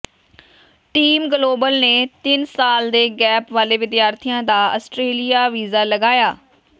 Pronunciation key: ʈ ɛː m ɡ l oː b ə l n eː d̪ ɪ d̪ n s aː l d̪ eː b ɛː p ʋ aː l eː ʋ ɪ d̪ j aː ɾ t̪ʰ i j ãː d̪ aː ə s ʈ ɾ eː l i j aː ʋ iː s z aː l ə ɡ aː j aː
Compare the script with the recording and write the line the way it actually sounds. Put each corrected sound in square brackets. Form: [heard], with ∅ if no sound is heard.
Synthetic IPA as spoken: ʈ [iː] m ɡ l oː b ə l n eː [t̪] ɪ [∅] n s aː l d̪ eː [ɡ] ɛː p ʋ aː l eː ʋ ɪ d̪ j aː ɾ t̪ʰ i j ãː d̪ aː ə s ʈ ɾ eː l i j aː ʋ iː [∅] z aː l ə ɡ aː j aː